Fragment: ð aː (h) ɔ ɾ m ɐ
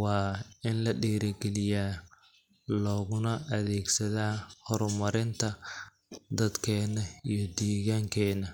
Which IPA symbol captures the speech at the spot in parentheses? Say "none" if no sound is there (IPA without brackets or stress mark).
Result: h